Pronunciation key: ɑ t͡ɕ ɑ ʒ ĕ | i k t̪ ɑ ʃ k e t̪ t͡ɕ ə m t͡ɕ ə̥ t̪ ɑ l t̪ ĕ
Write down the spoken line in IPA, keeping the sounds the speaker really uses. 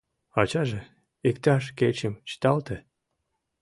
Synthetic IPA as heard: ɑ t͡ɕ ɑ ʒ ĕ | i k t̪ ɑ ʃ k e t͡ɕ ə m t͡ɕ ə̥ t̪ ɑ l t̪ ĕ